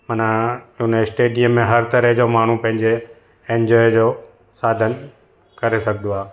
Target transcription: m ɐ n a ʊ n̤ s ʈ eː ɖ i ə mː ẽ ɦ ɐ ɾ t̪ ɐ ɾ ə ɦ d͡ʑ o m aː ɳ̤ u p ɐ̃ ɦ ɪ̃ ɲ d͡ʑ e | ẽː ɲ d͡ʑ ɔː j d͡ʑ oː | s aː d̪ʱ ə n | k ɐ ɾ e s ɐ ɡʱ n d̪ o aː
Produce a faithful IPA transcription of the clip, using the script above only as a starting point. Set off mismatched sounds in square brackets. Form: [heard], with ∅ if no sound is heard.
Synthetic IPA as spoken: m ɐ n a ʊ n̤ s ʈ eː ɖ i ə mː ẽ ɦ ɐ ɾ t̪ ɐ ɾ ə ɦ d͡ʑ o m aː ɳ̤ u p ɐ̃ ɦ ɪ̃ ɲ d͡ʑ e | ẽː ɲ d͡ʑ ɔː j d͡ʑ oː | s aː d̪ʱ ə n | k ɐ ɾ e s ɐ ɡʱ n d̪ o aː